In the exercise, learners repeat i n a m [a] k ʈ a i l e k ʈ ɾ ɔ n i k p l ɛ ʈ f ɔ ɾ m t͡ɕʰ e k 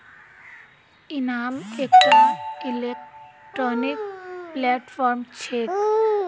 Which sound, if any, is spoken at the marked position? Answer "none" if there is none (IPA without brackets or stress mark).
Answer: e